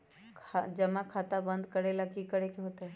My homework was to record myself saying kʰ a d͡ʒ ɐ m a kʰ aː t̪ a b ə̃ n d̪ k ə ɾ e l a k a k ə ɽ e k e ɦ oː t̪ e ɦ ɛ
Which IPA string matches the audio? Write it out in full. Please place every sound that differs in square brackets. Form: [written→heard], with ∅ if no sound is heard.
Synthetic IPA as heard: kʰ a d͡ʒ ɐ m a kʰ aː t̪ a b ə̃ n d̪ k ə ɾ e l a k [a→i] k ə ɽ e k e ɦ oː t̪ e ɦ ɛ